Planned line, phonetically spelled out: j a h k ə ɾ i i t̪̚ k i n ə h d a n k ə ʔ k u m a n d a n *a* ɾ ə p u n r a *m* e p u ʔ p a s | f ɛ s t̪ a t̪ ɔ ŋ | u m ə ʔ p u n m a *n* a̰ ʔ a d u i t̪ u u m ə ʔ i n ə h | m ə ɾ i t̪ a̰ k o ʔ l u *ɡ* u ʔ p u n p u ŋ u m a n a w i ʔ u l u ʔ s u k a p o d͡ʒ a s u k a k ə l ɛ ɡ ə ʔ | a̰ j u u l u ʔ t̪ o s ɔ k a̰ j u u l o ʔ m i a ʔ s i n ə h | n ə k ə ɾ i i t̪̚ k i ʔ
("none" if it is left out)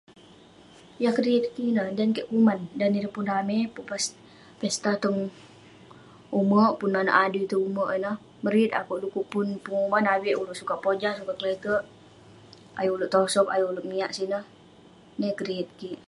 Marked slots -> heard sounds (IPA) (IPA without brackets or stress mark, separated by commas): i, m, n, k